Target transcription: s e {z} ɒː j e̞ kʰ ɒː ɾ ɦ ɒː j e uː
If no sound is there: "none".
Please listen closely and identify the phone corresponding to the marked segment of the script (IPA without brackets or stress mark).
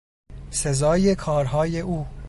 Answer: z